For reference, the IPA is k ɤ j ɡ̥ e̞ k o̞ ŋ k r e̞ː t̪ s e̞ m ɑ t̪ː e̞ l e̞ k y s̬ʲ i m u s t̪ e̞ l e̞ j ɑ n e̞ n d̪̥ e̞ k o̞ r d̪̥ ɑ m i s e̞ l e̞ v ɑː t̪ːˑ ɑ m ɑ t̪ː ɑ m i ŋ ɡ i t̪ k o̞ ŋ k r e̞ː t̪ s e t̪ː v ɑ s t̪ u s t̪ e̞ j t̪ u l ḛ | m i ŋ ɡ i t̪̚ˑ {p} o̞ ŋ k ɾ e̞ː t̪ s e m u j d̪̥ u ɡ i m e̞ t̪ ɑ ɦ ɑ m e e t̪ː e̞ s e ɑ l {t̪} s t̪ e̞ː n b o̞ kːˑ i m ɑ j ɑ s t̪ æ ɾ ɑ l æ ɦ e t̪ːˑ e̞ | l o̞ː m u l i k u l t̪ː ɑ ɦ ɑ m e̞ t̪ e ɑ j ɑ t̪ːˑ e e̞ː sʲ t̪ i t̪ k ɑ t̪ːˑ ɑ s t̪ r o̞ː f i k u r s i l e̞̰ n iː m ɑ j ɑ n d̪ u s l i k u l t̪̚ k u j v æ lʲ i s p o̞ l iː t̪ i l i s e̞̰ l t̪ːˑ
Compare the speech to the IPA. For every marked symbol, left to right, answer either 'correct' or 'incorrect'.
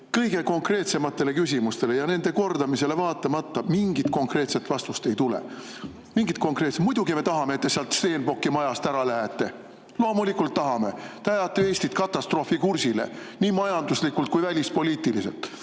incorrect: k, correct

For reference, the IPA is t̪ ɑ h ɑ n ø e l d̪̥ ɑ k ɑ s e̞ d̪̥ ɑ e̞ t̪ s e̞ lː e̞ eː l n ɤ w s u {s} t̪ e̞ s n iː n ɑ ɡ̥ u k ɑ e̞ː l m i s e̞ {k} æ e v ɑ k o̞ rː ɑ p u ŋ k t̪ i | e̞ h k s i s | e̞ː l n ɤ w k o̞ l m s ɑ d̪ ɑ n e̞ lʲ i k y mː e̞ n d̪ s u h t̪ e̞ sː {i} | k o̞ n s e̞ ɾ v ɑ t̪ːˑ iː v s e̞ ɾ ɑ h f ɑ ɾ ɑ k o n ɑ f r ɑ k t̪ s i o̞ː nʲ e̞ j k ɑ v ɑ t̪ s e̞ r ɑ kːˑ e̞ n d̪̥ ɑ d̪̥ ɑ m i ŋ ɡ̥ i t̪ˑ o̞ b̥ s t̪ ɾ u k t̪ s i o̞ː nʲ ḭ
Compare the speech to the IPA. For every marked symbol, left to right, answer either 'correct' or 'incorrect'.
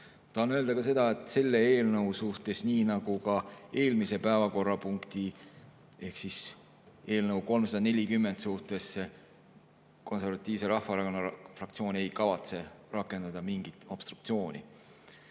incorrect: h, incorrect: p, incorrect: e

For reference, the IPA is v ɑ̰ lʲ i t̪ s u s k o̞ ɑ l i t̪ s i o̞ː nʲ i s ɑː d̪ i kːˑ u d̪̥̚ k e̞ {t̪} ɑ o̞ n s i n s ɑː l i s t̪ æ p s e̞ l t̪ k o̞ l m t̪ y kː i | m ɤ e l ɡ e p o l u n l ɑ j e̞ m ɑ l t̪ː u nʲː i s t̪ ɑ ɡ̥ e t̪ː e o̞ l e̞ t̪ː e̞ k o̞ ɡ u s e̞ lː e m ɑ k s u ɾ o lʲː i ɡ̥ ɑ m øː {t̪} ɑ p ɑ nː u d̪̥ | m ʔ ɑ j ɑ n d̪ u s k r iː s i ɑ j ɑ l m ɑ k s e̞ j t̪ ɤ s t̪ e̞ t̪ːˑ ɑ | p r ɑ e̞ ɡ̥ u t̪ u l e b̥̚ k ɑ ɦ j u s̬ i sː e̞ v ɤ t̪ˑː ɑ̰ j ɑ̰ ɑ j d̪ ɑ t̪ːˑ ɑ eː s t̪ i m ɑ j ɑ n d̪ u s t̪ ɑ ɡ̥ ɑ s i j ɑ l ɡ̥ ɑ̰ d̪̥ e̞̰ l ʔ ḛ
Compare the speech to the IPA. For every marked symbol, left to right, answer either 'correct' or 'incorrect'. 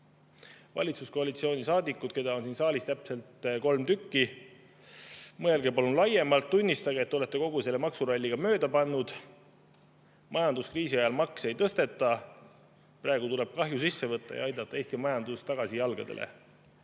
incorrect: d̪, incorrect: d̪

